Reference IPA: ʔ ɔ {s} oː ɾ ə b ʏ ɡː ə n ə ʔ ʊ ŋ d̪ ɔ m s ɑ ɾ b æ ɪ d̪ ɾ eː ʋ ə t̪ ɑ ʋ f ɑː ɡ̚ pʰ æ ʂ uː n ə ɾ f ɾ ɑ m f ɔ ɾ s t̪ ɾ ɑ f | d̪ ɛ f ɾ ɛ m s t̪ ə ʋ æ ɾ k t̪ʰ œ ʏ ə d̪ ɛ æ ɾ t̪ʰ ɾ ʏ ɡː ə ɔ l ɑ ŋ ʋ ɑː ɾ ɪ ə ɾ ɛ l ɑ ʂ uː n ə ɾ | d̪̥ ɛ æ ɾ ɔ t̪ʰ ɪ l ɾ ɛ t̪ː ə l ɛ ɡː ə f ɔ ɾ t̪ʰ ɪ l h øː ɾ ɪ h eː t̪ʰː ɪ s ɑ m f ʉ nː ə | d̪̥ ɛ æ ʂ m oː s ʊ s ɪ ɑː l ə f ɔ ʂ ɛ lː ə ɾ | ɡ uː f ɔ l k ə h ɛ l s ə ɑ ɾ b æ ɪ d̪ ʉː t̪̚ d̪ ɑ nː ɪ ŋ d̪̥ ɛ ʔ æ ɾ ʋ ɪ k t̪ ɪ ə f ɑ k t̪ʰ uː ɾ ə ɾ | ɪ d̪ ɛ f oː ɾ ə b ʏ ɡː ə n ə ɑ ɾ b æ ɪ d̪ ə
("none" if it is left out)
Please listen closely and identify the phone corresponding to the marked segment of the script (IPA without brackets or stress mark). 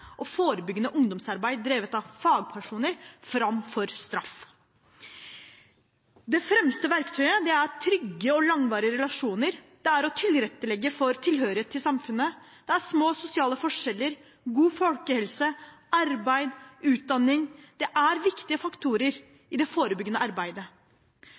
f